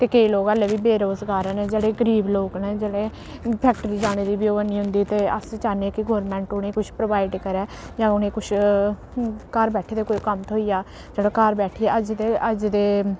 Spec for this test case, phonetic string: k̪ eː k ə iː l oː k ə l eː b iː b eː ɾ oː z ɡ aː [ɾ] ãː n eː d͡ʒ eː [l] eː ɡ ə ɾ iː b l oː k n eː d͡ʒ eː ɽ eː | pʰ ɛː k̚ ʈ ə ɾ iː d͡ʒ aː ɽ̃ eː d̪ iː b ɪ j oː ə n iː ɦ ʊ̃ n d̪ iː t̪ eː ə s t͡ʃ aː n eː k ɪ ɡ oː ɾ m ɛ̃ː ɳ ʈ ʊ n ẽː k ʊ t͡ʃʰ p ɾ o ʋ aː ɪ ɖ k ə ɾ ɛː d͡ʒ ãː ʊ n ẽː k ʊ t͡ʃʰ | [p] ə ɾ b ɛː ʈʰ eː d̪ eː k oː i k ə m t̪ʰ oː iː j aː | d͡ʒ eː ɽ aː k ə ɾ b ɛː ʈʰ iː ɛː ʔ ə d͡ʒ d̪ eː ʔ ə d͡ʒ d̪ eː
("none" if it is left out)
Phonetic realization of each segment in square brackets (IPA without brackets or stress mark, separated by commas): ɾ, ɽ, k